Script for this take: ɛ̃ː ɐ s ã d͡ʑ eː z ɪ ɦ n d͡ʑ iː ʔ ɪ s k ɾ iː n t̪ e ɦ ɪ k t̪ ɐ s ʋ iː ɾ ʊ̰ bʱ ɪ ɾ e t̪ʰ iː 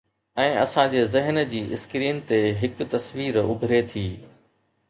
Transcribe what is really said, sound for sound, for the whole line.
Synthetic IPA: ɛ̃ː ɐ s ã d͡ʑ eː z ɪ ɦ n d͡ʑ iː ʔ ɪ s k ɾ iː n t̪ e ɦ ɪ k t̪ ɐ s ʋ iː ɾ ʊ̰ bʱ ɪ ɾ e t̪ʰ iː